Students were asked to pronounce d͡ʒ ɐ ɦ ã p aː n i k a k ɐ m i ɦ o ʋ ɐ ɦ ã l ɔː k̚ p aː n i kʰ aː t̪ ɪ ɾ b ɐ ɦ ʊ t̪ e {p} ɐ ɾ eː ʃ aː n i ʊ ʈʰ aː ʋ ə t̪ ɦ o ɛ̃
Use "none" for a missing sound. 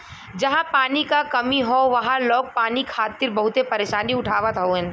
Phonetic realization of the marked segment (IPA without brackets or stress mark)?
p